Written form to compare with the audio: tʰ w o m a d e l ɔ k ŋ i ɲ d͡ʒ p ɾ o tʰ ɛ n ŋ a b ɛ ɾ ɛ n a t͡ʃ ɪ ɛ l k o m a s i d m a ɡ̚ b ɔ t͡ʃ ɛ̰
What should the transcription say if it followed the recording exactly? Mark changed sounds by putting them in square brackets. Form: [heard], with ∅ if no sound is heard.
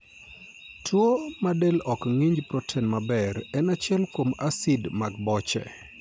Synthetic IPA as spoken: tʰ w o m a d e l ɔ k ŋ i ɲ d͡ʒ p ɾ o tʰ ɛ n [m] a b ɛ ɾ ɛ n a t͡ʃ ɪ ɛ l k o m a s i d m a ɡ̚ b ɔ t͡ʃ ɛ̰